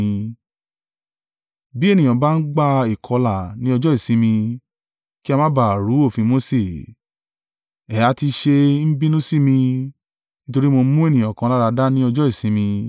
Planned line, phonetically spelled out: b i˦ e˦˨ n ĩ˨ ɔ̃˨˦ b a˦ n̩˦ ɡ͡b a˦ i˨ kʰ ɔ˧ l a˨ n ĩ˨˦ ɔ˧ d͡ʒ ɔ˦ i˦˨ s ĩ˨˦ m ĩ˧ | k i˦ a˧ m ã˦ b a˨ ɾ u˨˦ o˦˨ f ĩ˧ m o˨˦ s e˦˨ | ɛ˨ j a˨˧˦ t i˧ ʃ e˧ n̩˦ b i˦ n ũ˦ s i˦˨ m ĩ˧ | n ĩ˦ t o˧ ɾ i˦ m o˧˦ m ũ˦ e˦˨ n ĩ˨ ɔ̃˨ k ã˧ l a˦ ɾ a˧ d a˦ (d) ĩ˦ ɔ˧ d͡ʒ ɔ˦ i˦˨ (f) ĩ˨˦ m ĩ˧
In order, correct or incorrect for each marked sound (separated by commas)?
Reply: incorrect, incorrect